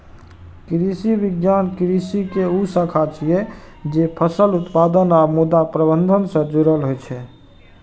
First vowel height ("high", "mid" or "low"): high